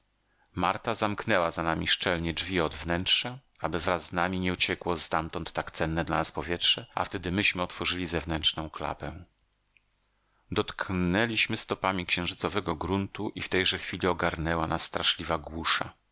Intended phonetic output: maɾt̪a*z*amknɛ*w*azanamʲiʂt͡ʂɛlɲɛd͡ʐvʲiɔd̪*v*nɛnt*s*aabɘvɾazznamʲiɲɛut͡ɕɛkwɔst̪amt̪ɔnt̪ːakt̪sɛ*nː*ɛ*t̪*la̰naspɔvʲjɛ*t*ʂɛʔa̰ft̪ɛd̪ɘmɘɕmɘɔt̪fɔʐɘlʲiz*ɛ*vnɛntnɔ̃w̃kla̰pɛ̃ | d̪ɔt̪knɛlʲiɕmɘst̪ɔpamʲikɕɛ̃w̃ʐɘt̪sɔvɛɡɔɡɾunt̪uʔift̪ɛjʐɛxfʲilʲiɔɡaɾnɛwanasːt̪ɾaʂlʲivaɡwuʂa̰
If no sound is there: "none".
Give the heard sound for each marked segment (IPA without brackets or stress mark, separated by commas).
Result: z, w, v, ʂ, nː, d̪, t, ɛ